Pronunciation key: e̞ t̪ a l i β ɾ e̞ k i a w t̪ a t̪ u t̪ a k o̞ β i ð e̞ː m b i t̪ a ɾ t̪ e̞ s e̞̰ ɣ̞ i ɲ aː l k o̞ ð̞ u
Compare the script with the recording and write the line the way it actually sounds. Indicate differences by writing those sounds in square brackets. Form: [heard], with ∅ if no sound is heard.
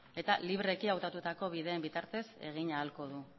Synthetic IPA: e̞ t̪ a l i β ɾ e̞ k i a w t̪ a t̪ u t̪ a k o̞ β i ð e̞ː m b i t̪ a ɾ t̪ e̞ s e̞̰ ɣ̞ i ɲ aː l k o̞ ð̞ u

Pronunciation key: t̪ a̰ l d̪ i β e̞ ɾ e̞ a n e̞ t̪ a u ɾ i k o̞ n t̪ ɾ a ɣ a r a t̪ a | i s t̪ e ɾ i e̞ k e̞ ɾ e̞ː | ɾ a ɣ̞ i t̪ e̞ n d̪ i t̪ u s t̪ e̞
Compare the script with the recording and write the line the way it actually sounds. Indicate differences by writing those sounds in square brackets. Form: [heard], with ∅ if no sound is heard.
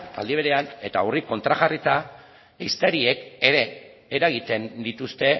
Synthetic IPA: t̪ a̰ l d̪ i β e̞ ɾ e̞ a n e̞ t̪ a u [r] i k o̞ n t̪ ɾ a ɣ a r [i] t̪ a | i s t̪ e ɾ i e̞ k e̞ ɾ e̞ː | ɾ a ɣ̞ i t̪ e̞ n d̪ i t̪ u s t̪ e̞

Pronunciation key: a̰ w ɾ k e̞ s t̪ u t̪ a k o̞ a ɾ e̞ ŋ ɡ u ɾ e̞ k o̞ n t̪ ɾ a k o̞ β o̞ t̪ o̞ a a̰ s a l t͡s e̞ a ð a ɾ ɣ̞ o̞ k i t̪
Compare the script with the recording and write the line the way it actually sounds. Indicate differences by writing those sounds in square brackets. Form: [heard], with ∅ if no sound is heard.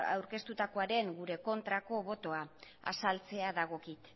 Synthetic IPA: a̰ w ɾ k e̞ s t̪ u t̪ a k o̞ a ɾ e̞ ŋ ɡ u ɾ e̞ k o̞ n t̪ ɾ a k o̞ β o̞ t̪ o̞ a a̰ s a l t͡s e̞ a ð a [∅] ɣ̞ o̞ k i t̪

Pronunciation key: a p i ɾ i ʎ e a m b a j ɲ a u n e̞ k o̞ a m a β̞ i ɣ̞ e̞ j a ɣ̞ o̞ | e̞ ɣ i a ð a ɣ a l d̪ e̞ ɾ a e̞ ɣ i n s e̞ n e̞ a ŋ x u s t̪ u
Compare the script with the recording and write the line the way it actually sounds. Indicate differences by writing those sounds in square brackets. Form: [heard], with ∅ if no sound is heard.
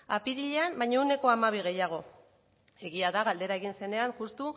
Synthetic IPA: a p i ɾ i ʎ e a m b a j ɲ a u n e̞ k o̞ a m a β̞ i ɣ̞ e̞ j a ɣ̞ o̞ | e̞ ɣ i a ð a ɣ a l d̪ e̞ ɾ a e̞ ɣ i n s e̞ n e̞ a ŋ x u s t̪ u

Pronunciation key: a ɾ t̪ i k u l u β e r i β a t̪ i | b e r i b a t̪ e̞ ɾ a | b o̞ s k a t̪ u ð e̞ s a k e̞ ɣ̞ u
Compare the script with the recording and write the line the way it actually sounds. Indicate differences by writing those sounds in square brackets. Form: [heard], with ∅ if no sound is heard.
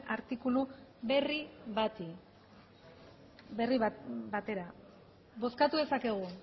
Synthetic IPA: a ɾ t̪ i k u l u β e r i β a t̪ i | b e r i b a t̪ e̞ ɾ a | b o̞ s k a t̪ u ð e̞ s a k e̞ ɣ̞ u

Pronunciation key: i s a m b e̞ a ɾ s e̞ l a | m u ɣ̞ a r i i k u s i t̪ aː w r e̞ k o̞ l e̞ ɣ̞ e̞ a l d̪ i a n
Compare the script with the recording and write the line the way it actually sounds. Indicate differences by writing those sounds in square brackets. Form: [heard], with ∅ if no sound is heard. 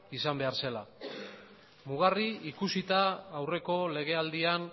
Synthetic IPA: i s a m b e̞ a ɾ s e̞ l a | m u ɣ̞ a r i i k u s i t̪ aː w r e̞ k o̞ l e̞ ɣ̞ e̞ a l d̪ i a n

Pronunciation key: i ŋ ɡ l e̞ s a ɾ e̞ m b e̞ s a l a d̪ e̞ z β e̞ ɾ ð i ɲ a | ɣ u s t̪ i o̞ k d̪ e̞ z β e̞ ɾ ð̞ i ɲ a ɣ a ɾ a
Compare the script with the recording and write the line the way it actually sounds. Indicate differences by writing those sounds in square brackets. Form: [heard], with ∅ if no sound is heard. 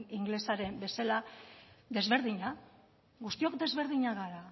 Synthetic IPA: i ŋ ɡ l e̞ s a ɾ e̞ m b e̞ s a l a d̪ e̞ z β e̞ ɾ ð i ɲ a | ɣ u s t̪ i o̞ k d̪ e̞ z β e̞ ɾ ð̞ i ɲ a ɣ a ɾ a

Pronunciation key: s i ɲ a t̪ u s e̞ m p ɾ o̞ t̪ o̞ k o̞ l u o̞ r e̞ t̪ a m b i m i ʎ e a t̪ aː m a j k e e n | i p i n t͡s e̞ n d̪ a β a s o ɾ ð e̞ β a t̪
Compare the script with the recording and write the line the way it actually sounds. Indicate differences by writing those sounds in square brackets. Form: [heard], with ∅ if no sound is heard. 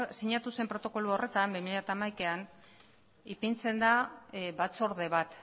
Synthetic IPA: s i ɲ a t̪ u s e̞ m p ɾ o̞ t̪ o̞ k o̞ l u o̞ r e̞ t̪ a m b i m i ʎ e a t̪ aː m a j k e [a] n | i p i n t͡s e̞ n d̪ a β a [t͡s] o ɾ ð e̞ β a t̪

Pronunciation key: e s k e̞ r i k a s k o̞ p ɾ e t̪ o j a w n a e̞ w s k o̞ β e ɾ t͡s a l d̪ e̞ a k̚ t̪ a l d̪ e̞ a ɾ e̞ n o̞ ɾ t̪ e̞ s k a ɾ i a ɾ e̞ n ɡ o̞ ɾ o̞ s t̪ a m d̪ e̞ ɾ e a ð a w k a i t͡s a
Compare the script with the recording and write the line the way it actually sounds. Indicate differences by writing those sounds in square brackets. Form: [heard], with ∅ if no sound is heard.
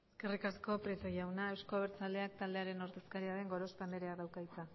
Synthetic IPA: e s k e̞ r i k a s k o̞ p ɾ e t̪ o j a w n a e̞ w s k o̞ β e ɾ t͡s a l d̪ e̞ a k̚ t̪ a l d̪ e̞ a ɾ e̞ n o̞ ɾ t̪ e̞ s k a ɾ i a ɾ e̞ [ŋ] ɡ o̞ ɾ o̞ s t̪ a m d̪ e̞ ɾ e a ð a w k a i t͡s a

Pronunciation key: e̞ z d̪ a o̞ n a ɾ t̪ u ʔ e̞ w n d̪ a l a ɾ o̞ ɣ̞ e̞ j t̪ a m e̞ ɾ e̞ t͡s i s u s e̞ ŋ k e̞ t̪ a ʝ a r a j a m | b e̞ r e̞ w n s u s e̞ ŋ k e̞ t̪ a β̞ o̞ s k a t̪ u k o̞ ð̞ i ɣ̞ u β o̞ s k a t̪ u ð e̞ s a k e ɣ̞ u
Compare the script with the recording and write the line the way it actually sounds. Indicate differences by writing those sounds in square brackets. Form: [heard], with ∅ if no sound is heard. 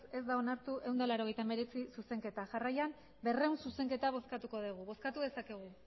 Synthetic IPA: e̞ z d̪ a o̞ n a ɾ t̪ u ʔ e̞ w n d̪ a l a ɾ o̞ ɣ̞ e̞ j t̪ a m e̞ ɾ e̞ t͡s i s u s e̞ ŋ k e̞ t̪ a ʝ a r a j a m | b e̞ r e̞ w n s u s e̞ ŋ k e̞ t̪ a β̞ o̞ s k a t̪ u k o̞ ð̞ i ɣ̞ u β o̞ s k a t̪ u ð e̞ s a k e ɣ̞ u

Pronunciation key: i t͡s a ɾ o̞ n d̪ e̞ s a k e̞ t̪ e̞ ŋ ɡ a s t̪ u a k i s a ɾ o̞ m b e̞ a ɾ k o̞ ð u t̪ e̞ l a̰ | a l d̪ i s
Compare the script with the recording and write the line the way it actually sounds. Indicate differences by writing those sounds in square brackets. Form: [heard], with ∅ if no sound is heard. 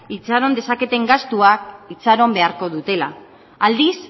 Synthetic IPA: i t͡s a ɾ o̞ n d̪ e̞ s a k e̞ t̪ e̞ ŋ ɡ a s t̪ u a k i [t͡s] a ɾ o̞ m b e̞ a ɾ k o̞ ð u t̪ e̞ l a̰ | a l d̪ i s

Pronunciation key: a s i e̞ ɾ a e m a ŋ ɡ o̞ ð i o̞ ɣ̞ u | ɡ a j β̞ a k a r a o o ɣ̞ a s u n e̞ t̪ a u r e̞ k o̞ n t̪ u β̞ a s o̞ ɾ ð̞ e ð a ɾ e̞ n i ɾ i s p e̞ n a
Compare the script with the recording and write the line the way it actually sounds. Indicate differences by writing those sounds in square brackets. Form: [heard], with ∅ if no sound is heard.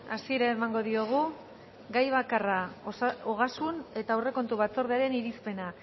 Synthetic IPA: a s i e̞ ɾ a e m a ŋ ɡ o̞ ð i o̞ ɣ̞ u | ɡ a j β̞ a k a r a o o ɣ̞ a s u n e̞ t̪ a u r e̞ k o̞ n t̪ u β̞ a [t͡s] o̞ ɾ ð̞ e [∅] a ɾ e̞ n i ɾ i s p e̞ n a

